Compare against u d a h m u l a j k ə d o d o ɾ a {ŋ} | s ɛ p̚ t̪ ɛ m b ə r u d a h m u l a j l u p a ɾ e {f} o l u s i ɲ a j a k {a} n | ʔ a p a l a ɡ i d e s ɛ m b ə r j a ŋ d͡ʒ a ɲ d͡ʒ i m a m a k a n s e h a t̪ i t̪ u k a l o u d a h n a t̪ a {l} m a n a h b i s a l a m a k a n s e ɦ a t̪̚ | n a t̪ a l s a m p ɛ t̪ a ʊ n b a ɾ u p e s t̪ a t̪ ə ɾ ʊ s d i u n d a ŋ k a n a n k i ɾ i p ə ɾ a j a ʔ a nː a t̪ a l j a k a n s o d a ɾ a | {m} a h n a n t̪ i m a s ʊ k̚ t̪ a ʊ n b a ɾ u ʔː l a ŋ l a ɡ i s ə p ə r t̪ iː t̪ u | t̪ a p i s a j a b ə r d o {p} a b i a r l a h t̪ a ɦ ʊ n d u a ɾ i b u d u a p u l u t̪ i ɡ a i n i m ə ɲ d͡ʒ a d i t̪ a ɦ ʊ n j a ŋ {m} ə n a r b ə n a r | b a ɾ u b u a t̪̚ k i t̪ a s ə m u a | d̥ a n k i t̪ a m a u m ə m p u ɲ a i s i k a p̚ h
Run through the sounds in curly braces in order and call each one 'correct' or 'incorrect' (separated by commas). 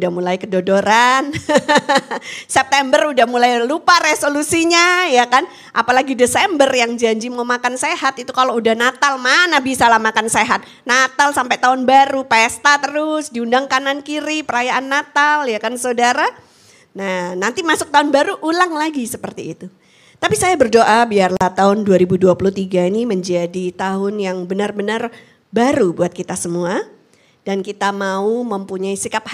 incorrect, incorrect, correct, correct, incorrect, incorrect, incorrect